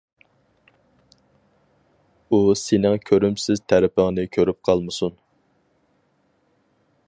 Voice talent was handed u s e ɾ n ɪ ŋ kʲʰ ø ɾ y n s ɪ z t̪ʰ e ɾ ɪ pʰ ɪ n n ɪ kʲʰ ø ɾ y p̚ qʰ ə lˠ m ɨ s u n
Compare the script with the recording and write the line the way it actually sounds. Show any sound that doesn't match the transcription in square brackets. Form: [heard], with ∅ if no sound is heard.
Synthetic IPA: u s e [∅] n ɪ ŋ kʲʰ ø ɾ y [m] s ɪ z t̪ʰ [æ] ɾ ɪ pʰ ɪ [ŋ] n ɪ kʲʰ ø ɾ y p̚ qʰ [ɑ] lˠ m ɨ s u n